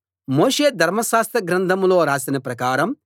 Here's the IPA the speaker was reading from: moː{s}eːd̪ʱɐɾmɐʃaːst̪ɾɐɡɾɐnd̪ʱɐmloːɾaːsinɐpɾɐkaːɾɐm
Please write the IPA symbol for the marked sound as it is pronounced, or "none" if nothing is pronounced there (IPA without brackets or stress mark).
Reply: ʂ